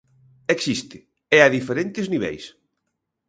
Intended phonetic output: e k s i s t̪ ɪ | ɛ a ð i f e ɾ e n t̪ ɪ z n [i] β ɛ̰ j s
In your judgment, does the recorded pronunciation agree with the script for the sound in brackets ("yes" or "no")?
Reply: yes